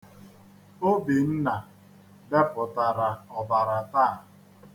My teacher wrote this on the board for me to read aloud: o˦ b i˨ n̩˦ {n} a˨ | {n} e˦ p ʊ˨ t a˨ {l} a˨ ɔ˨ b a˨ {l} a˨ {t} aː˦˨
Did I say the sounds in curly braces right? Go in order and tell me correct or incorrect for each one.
correct, incorrect, incorrect, incorrect, correct

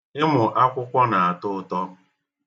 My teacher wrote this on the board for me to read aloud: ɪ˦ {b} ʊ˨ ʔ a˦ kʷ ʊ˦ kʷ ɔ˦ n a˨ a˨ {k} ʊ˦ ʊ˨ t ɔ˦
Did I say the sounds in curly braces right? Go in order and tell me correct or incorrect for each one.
incorrect, incorrect

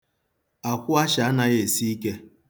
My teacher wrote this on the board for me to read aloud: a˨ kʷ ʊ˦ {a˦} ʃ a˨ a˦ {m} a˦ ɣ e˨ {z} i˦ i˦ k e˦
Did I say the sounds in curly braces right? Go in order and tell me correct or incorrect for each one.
correct, incorrect, incorrect

